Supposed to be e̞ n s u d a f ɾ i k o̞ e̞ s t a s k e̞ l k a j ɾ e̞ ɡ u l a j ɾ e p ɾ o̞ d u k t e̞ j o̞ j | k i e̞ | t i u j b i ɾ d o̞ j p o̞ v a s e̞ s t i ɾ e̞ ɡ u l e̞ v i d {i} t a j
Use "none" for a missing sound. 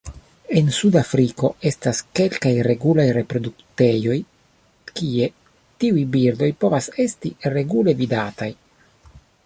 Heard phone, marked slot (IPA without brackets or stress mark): a